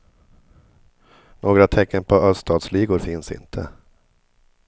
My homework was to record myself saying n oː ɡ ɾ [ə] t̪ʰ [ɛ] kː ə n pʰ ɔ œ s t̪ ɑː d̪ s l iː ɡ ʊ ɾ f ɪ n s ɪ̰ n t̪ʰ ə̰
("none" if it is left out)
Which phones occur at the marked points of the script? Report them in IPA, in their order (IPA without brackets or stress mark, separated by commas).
a, ɛ